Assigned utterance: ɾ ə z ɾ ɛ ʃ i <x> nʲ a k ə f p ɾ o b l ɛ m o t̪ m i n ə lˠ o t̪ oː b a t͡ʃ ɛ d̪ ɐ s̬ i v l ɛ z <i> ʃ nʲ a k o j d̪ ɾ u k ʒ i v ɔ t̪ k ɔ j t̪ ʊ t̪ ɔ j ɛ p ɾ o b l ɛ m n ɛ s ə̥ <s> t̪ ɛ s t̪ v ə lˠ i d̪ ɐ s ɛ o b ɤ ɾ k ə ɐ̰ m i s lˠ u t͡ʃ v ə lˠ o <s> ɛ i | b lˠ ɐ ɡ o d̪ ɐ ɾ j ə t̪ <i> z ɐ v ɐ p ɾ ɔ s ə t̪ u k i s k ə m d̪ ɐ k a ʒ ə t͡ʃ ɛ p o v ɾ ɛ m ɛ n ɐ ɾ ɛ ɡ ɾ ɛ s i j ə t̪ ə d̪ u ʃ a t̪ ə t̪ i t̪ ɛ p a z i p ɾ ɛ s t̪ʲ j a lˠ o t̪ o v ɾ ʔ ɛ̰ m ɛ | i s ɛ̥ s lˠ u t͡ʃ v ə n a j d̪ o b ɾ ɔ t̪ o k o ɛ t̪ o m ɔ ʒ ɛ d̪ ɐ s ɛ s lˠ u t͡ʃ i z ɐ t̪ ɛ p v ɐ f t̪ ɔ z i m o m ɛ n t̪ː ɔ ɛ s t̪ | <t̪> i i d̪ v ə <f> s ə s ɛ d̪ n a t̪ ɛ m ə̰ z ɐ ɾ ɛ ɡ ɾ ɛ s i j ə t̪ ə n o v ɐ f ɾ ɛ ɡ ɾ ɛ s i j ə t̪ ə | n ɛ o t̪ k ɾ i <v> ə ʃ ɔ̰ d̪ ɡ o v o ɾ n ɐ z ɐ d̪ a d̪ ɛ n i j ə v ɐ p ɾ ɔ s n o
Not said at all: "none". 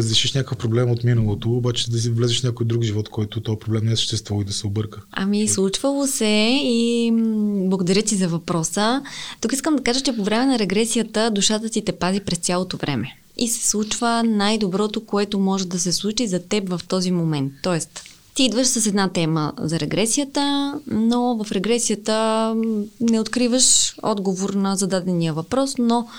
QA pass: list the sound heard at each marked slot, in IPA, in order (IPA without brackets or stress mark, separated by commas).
ʃ, ɛ, ʃ, s, i, t̪, ʃ, v